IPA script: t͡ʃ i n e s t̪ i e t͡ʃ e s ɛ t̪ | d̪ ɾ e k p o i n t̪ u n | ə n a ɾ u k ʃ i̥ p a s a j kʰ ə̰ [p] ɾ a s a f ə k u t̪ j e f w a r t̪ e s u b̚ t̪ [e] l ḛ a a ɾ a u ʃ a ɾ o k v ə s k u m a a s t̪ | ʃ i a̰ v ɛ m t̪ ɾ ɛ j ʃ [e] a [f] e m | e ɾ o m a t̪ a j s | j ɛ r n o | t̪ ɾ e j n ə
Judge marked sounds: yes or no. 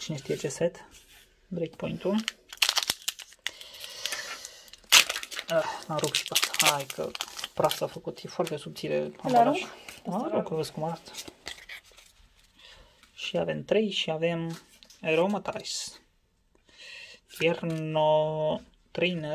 yes, no, no, no

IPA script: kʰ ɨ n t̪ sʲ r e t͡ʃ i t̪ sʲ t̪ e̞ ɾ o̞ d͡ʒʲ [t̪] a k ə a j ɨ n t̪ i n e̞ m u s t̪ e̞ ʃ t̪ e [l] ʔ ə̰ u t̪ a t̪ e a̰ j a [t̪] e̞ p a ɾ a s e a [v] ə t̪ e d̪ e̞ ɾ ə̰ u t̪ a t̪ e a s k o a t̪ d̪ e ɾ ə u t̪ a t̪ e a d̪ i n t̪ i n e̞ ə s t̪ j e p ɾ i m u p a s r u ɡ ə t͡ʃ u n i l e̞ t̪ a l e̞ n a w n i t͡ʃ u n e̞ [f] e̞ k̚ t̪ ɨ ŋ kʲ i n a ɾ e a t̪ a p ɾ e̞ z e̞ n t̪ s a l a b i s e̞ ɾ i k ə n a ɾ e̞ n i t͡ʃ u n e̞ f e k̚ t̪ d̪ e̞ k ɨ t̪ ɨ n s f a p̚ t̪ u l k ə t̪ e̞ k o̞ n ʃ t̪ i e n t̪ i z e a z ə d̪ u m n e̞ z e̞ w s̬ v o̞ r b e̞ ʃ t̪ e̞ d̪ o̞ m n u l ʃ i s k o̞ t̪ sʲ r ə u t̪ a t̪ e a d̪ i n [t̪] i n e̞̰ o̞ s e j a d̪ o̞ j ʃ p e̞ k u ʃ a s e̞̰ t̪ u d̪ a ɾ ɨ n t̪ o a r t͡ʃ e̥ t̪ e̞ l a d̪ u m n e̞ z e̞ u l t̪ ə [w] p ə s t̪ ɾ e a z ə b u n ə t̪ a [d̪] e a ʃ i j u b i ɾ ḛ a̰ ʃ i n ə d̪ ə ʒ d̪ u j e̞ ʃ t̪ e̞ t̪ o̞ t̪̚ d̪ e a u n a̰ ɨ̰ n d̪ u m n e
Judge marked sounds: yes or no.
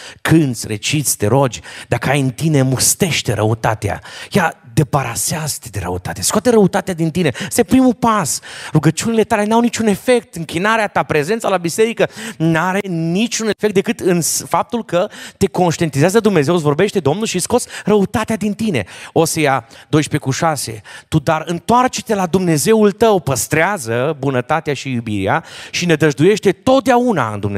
no, no, no, no, yes, yes, yes, no

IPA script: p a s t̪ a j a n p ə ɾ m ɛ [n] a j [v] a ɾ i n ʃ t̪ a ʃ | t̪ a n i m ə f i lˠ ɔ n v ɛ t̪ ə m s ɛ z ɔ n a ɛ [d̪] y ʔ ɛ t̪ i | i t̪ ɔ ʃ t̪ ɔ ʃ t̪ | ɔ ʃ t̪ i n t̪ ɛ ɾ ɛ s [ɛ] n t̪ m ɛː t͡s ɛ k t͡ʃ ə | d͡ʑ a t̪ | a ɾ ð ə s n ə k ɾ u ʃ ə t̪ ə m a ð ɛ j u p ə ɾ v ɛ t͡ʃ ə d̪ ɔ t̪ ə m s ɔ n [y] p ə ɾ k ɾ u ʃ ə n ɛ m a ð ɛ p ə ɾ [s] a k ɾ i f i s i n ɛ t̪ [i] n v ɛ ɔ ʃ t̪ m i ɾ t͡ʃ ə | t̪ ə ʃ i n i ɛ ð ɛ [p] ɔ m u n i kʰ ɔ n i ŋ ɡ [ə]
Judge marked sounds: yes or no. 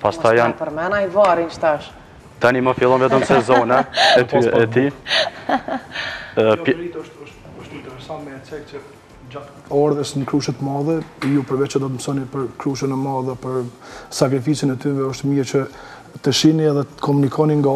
yes, yes, no, no, no, yes, no, no, no

